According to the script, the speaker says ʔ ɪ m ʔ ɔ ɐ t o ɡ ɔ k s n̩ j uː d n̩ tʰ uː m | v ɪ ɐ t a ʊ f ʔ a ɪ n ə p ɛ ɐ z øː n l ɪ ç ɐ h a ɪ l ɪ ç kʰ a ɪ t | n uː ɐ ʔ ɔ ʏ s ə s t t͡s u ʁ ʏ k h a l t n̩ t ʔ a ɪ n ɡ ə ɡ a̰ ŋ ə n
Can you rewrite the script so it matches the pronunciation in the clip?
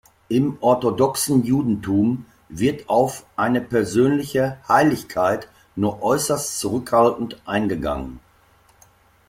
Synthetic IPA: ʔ ɪ m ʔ ɔ ɐ t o d ɔ k s n̩ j uː d n̩ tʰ uː m | v ɪ ɐ t a ʊ f ʔ a ɪ n ə p ɛ ɐ z øː n l ɪ ç ə h a ɪ l ɪ ç kʰ a ɪ t | n uː ɐ ʔ ɔ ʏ s ɐ s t t͡s u ʁ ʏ k h a l t n̩ t ʔ a ɪ n ɡ ə ɡ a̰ ŋ ə n